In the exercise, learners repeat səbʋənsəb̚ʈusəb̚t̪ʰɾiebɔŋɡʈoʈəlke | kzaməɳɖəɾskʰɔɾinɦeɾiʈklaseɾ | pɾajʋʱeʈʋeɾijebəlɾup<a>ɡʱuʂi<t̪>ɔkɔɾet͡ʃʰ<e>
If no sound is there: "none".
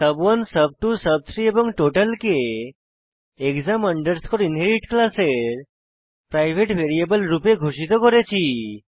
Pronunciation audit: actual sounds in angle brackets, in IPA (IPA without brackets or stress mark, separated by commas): e, t̪, i